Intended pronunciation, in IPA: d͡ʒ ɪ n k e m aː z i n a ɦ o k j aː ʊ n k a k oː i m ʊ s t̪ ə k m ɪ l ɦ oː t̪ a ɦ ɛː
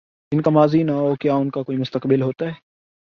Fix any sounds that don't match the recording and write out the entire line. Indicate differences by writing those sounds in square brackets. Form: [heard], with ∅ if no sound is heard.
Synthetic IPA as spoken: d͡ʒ ɪ n k [a] m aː z i n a ɦ o k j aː ʊ n k a k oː i m ʊ s t̪ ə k [b] ɪ l ɦ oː t̪ a ɦ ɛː